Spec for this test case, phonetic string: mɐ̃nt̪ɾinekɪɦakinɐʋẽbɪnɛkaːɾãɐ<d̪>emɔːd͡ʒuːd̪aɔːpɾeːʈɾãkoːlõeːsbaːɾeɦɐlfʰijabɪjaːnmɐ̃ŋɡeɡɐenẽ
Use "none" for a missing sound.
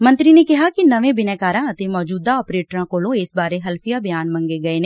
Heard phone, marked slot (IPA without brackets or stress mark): t̪